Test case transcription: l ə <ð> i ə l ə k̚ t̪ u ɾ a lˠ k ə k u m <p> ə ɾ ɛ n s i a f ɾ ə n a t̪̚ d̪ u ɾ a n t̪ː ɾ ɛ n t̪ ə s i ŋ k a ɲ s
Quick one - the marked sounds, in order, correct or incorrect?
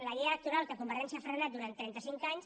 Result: incorrect, incorrect

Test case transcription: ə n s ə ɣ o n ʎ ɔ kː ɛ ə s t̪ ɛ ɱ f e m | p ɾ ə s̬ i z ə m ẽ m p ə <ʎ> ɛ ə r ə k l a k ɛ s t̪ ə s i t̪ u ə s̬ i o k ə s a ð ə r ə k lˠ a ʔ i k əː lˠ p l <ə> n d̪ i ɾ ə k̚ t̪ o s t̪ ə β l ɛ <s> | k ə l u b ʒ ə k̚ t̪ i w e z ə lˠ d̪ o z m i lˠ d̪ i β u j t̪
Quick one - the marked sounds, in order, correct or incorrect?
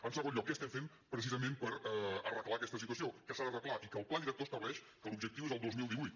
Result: incorrect, incorrect, incorrect

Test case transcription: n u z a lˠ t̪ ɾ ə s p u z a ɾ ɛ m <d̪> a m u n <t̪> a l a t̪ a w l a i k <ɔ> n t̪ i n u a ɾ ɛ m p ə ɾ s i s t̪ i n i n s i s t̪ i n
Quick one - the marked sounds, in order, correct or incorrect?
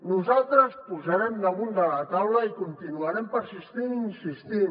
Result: correct, incorrect, incorrect

